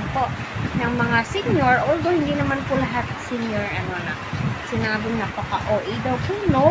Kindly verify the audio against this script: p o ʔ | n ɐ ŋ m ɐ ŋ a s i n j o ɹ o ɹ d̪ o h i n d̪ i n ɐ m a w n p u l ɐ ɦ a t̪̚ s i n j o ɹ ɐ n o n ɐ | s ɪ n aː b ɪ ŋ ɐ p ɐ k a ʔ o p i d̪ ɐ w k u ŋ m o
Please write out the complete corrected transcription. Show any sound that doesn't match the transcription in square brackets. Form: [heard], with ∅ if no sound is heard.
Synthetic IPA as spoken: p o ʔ | n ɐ ŋ m ɐ ŋ a s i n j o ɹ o [l] d̪ o h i n d̪ i n ɐ m a [∅] n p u l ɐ ɦ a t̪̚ s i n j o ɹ ɐ n o n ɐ | s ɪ n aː b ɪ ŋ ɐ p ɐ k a ʔ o [ʔ] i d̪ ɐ w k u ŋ [n] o